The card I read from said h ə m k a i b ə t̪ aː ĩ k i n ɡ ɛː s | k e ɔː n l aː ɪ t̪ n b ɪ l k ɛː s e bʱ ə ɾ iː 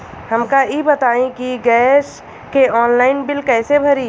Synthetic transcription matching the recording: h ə m k a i b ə t̪ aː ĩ k i ɡ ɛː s | k e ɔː n l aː ɪ n b ɪ l k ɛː s e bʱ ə ɾ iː